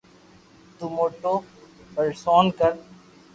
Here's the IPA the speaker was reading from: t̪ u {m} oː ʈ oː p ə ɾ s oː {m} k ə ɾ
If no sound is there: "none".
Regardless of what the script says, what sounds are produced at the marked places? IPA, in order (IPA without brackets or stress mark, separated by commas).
m, n